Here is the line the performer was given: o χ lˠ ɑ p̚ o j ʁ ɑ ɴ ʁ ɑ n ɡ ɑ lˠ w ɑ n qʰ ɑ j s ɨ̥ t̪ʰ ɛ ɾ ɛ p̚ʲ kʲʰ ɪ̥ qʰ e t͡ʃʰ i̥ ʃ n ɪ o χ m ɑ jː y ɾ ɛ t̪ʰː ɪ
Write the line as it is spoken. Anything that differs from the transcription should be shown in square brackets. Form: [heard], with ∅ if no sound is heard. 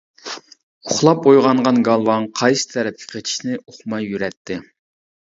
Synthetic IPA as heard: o χ lˠ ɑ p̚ o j ʁ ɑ ɴ ʁ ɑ n ɡ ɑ lˠ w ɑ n qʰ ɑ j s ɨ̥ t̪ʰ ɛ ɾ ɛ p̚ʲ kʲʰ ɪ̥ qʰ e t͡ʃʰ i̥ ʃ n ɪ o χ m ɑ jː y ɾ ɛ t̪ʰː ɪ